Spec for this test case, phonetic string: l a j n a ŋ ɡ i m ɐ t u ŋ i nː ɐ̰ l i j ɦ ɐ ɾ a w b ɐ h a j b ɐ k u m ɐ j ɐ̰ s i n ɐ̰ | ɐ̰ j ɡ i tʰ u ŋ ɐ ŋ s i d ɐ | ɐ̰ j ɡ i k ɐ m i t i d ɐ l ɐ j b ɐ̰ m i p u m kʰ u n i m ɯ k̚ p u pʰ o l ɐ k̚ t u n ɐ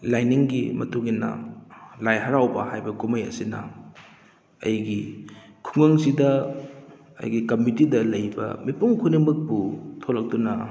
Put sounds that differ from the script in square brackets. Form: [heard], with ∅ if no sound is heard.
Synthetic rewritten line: l a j n [i] ŋ ɡ i m ɐ t u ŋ i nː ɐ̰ l [a] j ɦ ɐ ɾ a w b ɐ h a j b ɐ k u m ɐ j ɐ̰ s i n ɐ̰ | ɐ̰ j ɡ i [kʰ] u ŋ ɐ ŋ s i d ɐ | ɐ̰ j ɡ i k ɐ m i t i d ɐ l ɐ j b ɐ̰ m i p u [ŋ] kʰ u n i m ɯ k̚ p u [tʰ] o l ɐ k̚ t u n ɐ